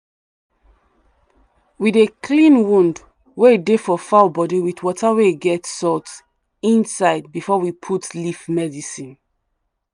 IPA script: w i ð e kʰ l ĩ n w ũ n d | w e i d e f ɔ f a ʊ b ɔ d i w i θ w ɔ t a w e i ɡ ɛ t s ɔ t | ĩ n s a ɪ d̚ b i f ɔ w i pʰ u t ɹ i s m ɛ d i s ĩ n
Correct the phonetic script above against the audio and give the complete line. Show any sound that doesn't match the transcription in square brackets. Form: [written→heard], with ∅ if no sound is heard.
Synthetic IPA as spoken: w i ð e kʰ l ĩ n w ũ n d | w e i d e f ɔ f a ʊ b ɔ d i w i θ w ɔ t a w e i ɡ ɛ t s ɔ t | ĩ n s a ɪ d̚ b i f ɔ w i pʰ u t [ɹ→l] i [s→f] m ɛ d i s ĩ n